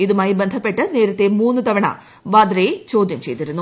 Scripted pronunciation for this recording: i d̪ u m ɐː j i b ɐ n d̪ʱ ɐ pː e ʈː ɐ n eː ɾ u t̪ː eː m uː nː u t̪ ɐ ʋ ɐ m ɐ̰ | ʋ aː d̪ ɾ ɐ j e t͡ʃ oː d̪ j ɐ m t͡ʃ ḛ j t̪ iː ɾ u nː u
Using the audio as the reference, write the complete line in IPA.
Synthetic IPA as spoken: i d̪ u m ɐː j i b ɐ n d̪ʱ ɐ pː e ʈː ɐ n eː ɾ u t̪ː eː m uː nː u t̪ ɐ ʋ ɐ ɳ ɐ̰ | ʋ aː d̪ ɾ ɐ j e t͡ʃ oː d̪ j ɐ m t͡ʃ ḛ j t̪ i ɾ u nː u